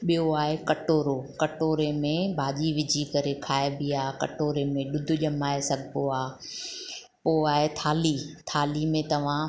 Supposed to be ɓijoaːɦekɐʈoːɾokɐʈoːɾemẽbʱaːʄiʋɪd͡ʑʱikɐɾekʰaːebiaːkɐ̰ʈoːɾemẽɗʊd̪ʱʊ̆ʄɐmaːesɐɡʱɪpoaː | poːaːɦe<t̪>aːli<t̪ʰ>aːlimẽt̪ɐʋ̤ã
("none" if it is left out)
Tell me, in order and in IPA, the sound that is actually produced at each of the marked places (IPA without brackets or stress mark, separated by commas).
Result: t̪ʰ, t̪ʰ